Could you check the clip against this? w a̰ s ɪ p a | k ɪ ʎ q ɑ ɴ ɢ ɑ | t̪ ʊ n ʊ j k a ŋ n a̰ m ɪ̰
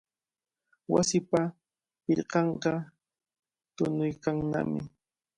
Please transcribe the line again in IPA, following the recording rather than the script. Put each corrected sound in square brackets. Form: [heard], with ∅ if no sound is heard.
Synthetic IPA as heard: w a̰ s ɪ p a | [p] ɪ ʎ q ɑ ɴ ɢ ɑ | t̪ ʊ n ʊ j k a ŋ n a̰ m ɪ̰